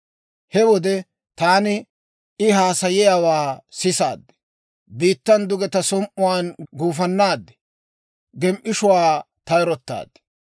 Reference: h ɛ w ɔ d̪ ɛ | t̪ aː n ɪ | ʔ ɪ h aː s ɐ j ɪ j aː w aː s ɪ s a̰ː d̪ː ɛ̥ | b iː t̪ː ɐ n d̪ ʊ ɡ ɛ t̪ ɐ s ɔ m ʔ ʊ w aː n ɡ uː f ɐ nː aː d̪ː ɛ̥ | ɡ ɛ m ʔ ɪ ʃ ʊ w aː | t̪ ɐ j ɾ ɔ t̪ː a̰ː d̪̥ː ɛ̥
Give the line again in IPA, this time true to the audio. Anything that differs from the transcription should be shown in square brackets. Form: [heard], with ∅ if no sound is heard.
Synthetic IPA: h ɛ w ɔ d̪ ɛ | t̪ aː n ɪ | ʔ ɪ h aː s ɐ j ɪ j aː w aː s ɪ s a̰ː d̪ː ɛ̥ | b iː t̪ː ɐ n d̪ ʊ ɡ ɛ t̪ ɐ s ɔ m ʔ ʊ w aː n ɡ uː f ɐ nː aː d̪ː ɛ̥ | ɡ ɛ m ʔ ɪ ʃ ʊ w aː | t̪ ɐ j ɾ ɔ t̪ː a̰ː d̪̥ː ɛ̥